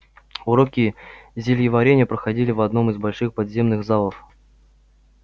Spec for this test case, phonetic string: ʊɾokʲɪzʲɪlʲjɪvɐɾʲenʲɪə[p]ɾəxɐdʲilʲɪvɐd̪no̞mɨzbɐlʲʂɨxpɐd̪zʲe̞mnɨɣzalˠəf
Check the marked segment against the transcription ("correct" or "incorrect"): correct